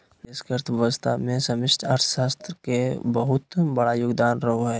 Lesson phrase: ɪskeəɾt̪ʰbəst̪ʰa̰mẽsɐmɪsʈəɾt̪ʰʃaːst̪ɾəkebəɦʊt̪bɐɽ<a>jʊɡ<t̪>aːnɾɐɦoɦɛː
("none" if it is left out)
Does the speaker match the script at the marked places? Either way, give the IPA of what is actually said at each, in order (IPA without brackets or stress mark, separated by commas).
a, d̪